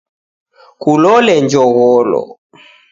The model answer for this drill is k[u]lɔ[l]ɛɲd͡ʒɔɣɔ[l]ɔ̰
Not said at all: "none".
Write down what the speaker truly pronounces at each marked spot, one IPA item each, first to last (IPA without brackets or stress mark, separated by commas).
u, l, l